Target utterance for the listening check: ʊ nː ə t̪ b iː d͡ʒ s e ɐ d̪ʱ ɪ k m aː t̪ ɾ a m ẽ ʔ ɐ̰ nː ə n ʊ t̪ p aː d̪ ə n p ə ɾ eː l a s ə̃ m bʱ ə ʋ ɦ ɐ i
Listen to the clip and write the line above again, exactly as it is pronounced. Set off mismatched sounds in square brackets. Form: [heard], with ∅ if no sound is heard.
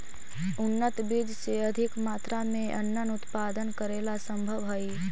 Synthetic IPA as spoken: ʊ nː ə t̪ b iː d͡ʒ s e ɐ d̪ʱ ɪ k m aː t̪ ɾ a m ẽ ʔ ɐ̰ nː ə n ʊ t̪ p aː d̪ ə n [k] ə ɾ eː l a s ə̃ m bʱ ə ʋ ɦ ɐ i